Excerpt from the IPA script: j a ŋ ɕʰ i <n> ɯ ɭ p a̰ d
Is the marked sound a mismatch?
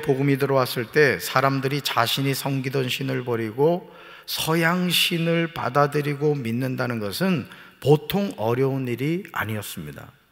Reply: no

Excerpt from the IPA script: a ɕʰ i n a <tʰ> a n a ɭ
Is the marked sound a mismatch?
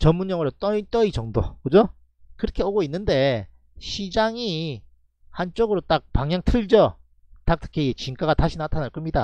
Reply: no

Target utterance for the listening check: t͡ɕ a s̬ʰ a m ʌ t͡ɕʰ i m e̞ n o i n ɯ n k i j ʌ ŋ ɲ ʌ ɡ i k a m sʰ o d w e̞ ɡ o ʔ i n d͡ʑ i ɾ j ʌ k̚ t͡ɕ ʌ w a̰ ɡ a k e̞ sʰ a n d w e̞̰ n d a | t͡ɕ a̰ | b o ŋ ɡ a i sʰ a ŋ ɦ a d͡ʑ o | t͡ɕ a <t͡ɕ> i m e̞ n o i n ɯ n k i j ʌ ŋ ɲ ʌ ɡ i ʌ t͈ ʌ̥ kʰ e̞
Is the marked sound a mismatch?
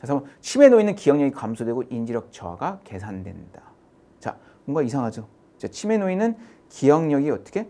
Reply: yes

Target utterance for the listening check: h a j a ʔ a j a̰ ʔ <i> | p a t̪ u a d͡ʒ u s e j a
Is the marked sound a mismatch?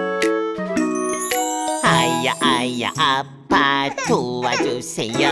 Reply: yes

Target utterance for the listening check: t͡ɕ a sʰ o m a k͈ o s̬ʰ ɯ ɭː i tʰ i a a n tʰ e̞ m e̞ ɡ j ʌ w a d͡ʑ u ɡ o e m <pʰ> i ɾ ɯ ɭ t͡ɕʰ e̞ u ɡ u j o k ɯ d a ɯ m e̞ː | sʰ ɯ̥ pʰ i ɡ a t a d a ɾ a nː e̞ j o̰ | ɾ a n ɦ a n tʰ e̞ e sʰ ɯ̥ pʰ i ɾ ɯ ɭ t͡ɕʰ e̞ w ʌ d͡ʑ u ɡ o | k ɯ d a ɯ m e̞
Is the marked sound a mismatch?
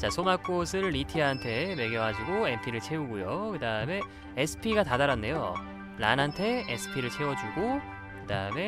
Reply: no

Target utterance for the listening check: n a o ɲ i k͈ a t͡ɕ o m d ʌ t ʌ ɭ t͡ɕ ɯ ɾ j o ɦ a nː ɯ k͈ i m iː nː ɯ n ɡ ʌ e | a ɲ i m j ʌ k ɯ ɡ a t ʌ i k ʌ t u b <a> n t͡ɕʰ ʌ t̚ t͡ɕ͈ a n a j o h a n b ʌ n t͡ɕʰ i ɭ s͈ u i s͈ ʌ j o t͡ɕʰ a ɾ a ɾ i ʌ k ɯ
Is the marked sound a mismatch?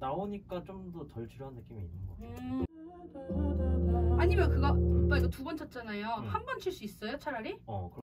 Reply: yes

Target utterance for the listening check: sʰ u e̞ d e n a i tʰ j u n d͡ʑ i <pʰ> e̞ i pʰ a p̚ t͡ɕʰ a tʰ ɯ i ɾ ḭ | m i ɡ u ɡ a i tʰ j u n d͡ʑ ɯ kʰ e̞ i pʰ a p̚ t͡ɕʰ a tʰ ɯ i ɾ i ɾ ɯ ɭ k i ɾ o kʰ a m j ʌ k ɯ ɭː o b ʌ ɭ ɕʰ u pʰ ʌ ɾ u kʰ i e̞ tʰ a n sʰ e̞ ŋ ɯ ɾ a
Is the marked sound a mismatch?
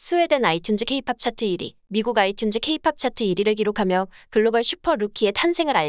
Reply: yes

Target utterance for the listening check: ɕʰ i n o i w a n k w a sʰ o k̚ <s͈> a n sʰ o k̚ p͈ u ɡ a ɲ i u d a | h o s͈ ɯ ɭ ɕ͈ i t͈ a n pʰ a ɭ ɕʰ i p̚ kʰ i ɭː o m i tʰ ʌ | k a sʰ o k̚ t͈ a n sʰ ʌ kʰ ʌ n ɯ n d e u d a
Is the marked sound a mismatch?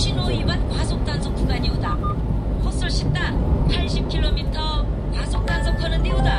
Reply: yes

